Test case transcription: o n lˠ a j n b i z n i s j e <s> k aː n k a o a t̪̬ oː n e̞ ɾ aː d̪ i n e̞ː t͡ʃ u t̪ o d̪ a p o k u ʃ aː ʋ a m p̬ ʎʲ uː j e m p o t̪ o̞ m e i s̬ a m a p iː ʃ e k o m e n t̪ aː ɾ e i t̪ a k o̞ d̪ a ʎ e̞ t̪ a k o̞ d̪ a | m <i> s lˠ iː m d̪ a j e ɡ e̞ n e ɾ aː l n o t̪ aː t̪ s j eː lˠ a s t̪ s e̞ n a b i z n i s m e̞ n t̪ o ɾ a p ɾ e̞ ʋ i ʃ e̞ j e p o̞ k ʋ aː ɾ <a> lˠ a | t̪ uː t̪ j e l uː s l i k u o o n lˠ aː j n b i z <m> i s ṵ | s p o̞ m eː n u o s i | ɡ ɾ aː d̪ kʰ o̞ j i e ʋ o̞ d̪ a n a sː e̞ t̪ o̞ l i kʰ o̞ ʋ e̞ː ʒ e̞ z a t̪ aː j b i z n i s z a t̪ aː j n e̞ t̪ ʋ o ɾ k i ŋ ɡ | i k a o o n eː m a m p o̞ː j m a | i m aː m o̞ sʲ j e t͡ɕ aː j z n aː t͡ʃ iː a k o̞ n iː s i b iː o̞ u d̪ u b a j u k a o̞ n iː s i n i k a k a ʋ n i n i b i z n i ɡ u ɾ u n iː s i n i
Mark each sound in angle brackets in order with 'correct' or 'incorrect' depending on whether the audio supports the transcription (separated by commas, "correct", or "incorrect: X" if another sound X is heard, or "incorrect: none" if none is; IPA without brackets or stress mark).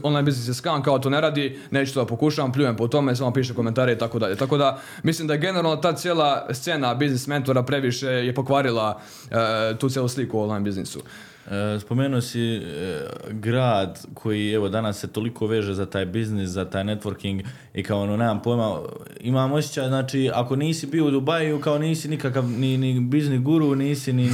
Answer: correct, correct, incorrect: i, incorrect: n